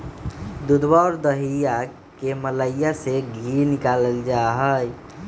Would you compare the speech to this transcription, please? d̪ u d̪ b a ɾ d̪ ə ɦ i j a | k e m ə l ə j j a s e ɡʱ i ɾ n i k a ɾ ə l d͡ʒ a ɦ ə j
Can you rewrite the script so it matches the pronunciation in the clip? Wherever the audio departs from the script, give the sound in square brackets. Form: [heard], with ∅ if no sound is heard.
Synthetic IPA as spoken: d̪ u d̪ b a ɾ d̪ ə ɦ i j a | k e m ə l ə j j a s e ɡʱ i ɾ n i k a [l] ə l d͡ʒ a ɦ ə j